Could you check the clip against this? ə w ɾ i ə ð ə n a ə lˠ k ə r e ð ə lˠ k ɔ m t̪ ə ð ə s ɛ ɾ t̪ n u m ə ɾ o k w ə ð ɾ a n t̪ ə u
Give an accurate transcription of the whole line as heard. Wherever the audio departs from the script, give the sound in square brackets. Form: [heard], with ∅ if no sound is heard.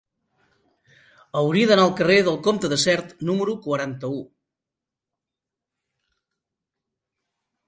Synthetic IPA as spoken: ə w ɾ i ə ð ə n a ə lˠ k ə r e ð ə lˠ k [o] m t̪ ə ð ə s ɛ ɾ t̪ n u m ə ɾ [u] k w ə [∅] ɾ a n t̪ ə u